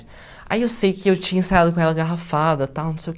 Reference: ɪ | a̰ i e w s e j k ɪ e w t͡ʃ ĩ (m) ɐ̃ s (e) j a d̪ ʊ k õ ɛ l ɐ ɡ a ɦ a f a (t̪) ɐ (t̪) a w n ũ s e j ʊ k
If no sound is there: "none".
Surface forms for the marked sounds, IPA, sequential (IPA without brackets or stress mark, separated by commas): ɲ, a, d̪, t̪